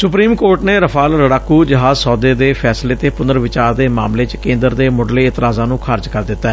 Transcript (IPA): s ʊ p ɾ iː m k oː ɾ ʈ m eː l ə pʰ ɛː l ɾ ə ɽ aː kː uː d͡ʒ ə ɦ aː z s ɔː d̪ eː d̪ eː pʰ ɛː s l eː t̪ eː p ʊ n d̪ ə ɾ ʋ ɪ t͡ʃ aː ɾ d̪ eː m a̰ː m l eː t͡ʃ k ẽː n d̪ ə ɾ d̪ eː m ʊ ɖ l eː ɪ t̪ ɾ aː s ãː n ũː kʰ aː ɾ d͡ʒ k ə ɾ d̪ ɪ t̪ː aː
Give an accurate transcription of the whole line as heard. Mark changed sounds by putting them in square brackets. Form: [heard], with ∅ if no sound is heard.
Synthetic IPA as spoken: s ʊ p ɾ iː m k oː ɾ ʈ [n] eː [ɾ] ə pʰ [aː] l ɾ ə ɽ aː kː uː d͡ʒ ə ɦ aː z s ɔː d̪ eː d̪ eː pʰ ɛː s l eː t̪ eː p ʊ n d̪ ə ɾ ʋ ɪ t͡ʃ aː ɾ d̪ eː m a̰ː m l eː t͡ʃ k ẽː n d̪ ə ɾ d̪ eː m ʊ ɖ l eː ɪ t̪ ɾ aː [z] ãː n ũː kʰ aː ɾ d͡ʒ k ə ɾ d̪ ɪ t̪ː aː